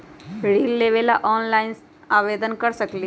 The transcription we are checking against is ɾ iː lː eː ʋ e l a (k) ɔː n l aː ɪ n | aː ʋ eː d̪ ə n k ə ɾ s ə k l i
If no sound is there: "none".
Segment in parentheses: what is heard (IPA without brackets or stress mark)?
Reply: ʔ